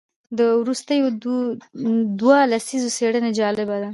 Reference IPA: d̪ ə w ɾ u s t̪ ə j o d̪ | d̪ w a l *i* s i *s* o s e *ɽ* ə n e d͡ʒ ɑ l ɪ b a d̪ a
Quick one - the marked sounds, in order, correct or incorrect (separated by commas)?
incorrect, incorrect, correct